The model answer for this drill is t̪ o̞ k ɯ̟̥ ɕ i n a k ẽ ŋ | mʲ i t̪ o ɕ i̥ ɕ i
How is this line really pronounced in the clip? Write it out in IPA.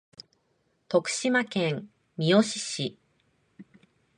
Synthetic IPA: t̪ o̞ k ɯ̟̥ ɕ i m a k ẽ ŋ | mʲ i o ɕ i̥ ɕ i

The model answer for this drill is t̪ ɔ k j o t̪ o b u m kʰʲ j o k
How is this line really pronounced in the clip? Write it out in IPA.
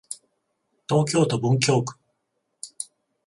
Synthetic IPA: t̪ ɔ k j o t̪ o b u ŋ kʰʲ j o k

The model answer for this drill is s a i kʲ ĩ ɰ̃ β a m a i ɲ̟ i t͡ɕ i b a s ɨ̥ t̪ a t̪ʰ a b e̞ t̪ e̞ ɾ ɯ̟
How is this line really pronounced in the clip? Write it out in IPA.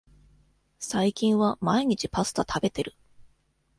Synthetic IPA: s a i kʲ ĩ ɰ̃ β a m a i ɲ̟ i t͡ɕ i p a s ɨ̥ t̪ a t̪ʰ a b e̞ t̪ e̞ ɾ ɯ̟

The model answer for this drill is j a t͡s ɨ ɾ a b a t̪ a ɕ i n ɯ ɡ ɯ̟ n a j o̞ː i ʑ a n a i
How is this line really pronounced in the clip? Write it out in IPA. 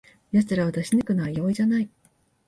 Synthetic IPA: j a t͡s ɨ ɾ a β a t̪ a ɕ i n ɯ k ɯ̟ n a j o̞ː i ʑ a n a i

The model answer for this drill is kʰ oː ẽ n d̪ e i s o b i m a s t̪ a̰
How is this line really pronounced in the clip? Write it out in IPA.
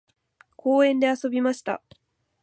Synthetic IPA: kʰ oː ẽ n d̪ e a s o b i m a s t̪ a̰

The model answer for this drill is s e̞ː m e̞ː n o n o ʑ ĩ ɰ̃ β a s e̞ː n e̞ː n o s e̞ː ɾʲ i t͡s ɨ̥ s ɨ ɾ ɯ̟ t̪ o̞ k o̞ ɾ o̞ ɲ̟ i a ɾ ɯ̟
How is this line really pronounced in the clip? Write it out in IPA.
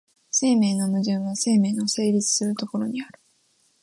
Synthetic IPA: s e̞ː m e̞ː n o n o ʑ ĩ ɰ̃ β a s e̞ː m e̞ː n o s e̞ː ɾʲ i t͡s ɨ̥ s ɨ ɾ ɯ̟ t̪ o̞ k o̞ ɾ o̞ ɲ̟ i a ɾ ɯ̟

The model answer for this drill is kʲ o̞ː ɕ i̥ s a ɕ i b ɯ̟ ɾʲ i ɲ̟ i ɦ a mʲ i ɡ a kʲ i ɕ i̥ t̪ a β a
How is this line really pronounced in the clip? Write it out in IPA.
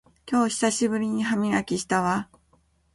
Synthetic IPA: kʲ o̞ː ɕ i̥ s a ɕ i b ɯ̟ ɾʲ i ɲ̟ i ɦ a mʲ i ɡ a kʲ i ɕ i̥ t̪ a β a

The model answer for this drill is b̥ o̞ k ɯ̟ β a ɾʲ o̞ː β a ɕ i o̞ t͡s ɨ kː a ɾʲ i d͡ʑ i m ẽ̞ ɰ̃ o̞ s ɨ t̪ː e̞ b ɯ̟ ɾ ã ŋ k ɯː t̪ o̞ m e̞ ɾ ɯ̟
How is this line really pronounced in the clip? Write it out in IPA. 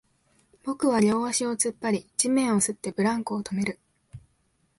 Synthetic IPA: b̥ o̞ k ɯ̟ β a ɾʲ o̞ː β a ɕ i o̞ t͡s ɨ pː a ɾʲ i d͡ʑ i m ẽ̞ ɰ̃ o̞ s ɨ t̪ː e̞ b ɯ̟ ɾ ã ŋ k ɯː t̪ o̞ m e̞ ɾ ɯ̟

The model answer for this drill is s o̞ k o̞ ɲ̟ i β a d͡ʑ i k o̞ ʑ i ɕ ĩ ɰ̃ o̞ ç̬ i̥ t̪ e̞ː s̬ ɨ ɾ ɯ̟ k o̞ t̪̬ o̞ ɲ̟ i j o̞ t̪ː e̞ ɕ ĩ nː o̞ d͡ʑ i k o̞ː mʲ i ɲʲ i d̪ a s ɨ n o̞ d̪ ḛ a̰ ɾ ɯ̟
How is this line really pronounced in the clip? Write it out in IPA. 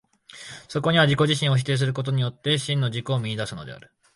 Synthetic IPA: s o̞ k o̞ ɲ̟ i β a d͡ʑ i k o̞ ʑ i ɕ ĩ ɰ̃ o̞ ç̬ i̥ t̪ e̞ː s̬ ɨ ɾ ɯ̟ k o̞ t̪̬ o̞ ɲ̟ i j o̞ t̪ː e̞ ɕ ĩ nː o̞ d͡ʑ i k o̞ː mʲ i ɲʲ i d̪ a s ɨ n o̞ d̪ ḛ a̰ ɾ ɯ̟

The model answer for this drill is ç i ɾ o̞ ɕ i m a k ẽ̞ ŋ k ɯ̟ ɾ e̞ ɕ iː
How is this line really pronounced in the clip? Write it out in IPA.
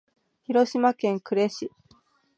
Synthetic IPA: ç i ɾ o̞ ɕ i m a k ẽ̞ ŋ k ɯ̟ ɾ e̞ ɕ i

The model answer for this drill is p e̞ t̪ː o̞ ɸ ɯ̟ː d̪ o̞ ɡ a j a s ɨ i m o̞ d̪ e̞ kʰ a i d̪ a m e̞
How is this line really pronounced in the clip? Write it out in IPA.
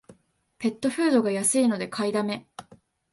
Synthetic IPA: p e̞ t̪ː o̞ ɸ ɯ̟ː d̪ o̞ ɡ a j a s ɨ i n o̞ d̪ e̞ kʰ a i d̪ a m e̞

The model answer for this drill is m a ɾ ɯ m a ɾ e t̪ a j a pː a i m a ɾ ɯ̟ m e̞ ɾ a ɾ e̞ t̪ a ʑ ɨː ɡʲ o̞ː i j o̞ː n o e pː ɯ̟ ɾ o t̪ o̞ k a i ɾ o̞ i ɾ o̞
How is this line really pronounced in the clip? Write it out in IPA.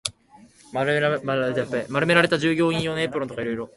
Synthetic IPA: m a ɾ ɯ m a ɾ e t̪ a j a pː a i m a ɾ ɯ̟ m e̞ ɾ a ɾ e̞ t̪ a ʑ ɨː ɡʲ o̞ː ĩ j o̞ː n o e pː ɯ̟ ɾ o t̪ o̞ k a i ɾ o̞ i ɾ o̞

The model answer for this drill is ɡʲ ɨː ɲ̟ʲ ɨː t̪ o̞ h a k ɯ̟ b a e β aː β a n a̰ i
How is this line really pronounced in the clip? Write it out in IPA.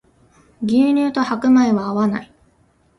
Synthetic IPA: ɡʲ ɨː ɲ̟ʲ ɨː t̪ o̞ h a k ɯ̟ m a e β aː β a n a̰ i

